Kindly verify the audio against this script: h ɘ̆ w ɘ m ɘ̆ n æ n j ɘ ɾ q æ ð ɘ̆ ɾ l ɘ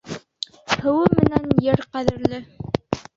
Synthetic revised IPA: h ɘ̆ w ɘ m ɘ̆ n æ n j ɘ ɾ q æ ð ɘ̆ ɾ l ɘ